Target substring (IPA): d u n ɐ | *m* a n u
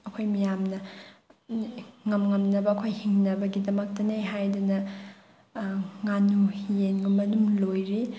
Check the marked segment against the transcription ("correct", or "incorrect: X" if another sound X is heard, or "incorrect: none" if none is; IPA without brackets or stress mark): incorrect: ŋ